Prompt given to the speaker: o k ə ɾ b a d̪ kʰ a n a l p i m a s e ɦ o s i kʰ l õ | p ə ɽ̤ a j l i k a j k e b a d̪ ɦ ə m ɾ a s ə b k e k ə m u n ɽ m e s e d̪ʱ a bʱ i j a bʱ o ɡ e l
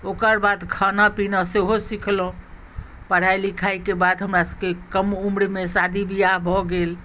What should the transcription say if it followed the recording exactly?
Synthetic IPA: o k ə ɾ b a d̪ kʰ a n a p i n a s e ɦ o s i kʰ l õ | p ə ɽ̤ a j l i kʰ a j k e b a d̪ ɦ ə m ɾ a s ə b k e k ə m u m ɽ m e s a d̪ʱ i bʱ i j a bʱ ɔ ɡ e l

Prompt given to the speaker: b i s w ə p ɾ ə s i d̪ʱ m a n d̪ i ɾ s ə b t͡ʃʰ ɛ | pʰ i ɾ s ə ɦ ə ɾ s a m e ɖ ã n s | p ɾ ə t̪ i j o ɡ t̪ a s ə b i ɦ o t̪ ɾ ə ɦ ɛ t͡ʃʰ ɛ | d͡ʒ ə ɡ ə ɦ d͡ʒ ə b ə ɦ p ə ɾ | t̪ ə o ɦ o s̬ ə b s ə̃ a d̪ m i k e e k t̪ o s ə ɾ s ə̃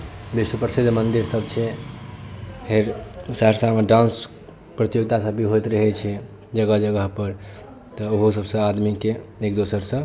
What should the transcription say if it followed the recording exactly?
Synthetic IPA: b i s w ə p ɾ ə s i d̪ʱ m ə n d̪ i ɾ s ə b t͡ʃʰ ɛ | pʰ e ɾ s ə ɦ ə ɾ s a m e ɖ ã n s | p ɾ ə t̪ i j o ɡ t̪ a s ə b i ɦ o t̪ ɾ ə ɦ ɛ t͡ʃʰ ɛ | d͡ʒ ə ɡ ə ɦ d͡ʒ ə ɡ ə ɦ p ə ɾ | t̪ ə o ɦ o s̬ ə b s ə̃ a d̪ m i k e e k d̪ o s ə ɾ s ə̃

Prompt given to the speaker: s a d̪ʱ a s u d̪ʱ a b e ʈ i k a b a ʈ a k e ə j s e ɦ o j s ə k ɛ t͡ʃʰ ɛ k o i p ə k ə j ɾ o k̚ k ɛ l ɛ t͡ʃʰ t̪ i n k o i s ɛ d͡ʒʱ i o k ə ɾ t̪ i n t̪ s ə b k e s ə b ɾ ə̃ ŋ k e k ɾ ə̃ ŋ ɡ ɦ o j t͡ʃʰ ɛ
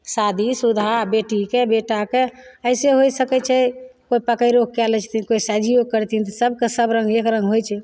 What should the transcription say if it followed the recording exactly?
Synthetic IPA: s a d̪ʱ i s u d̪ʱ a b e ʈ i k e b e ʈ a k e ə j s e ɦ o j s ə k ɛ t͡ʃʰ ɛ k o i p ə k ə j ɾ o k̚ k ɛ l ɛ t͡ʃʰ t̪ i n k o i s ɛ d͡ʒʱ i o k ə ɾ t̪ i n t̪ s ə b k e s ə b ɾ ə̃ ŋ ɡ e k ɾ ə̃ ŋ ɡ ɦ o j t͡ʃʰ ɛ

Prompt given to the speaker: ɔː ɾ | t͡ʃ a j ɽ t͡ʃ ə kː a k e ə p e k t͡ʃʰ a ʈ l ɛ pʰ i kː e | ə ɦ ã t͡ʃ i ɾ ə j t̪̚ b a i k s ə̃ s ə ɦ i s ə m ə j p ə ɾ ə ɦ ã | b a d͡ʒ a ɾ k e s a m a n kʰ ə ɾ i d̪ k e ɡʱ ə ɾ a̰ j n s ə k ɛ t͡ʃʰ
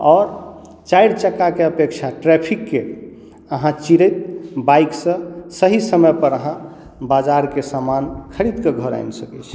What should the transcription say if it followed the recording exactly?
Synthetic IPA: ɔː ɾ | t͡ʃ a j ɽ t͡ʃ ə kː a k e ə p e k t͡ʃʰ a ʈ ɾ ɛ pʰ i kː e | ə ɦ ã t͡ʃ i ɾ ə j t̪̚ b a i k s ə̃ s ə ɦ i s ə m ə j p ə ɾ ə ɦ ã | b a d͡ʒ a ɾ k e s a m a n kʰ ə ɾ i d̪ k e ɡʱ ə ɾ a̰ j n s ə k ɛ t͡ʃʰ

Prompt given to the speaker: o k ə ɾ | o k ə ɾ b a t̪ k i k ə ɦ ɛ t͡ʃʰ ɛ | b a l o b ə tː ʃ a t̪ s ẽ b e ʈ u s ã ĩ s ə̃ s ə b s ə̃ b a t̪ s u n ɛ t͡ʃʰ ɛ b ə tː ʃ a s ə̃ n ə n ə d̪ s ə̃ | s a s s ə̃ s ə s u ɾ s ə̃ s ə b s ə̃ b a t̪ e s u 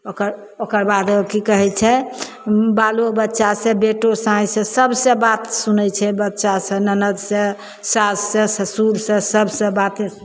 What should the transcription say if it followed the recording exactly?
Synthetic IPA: o k ə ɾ | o k ə ɾ b a d̪ k i k ə ɦ ɛ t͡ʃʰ ɛ | b a l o b ə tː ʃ a s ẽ b e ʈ o s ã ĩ s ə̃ s ə b s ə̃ b a t̪ s u n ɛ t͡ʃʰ ɛ b ə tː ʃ a s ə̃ n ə n ə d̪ s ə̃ | s a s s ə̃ s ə s u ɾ s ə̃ s ə b s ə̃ b a t̪ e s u

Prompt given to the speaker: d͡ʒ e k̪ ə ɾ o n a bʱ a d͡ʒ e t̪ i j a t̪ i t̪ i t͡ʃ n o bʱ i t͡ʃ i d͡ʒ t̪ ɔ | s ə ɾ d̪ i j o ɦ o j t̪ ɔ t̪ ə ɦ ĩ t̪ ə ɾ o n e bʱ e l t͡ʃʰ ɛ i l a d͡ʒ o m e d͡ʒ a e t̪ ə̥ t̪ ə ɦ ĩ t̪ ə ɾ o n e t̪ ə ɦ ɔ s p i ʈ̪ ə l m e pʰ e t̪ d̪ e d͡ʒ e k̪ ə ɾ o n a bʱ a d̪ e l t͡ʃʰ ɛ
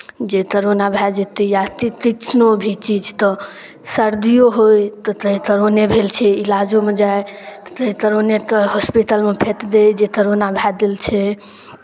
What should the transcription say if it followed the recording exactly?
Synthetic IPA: d͡ʒ e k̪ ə ɾ o n a bʱ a d͡ʒ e t̪ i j a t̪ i t̪ i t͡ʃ n o bʱ i t͡ʃ i d͡ʒ t̪ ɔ | s ə ɾ d̪ i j o ɦ o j t̪ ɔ t̪ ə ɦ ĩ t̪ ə ɾ o n e bʱ e l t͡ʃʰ ɛ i l a d͡ʒ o m e d͡ʒ a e t̪ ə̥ t̪ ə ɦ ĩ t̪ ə ɾ o n e t̪ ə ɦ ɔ s p i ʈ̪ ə l m e pʰ e t̪ d̪ e d͡ʒ e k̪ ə ɾ o n a bʱ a d̪ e l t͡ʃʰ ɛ

